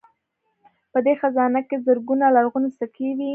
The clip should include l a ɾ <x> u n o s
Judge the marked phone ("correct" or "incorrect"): incorrect